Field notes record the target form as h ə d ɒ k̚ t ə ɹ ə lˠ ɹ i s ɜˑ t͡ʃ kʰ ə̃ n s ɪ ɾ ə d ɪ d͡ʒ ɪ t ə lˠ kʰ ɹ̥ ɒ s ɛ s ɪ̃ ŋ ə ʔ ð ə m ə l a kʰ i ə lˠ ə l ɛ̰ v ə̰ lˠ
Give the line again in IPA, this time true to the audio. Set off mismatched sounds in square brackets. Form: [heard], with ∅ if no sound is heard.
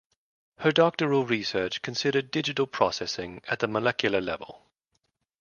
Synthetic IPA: h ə d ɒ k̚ t ə ɹ ə lˠ ɹ i s ɜˑ t͡ʃ kʰ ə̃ n s ɪ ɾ ə d ɪ d͡ʒ ɪ t ə lˠ [pʰ] ɹ̥ ɒ s ɛ s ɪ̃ ŋ ə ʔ ð ə m ə l [ɛ] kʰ [j] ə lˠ ə l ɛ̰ v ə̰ lˠ